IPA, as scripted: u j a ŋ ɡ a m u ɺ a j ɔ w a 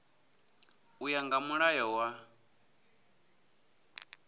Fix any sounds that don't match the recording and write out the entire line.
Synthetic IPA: u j a ŋ ɡ a m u ɺ a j ɔ w a